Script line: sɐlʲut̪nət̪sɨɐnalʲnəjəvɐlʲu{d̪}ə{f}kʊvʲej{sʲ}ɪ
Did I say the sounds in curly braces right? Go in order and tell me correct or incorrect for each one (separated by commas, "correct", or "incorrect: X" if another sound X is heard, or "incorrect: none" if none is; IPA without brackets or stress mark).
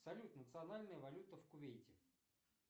incorrect: t̪, correct, incorrect: tʲ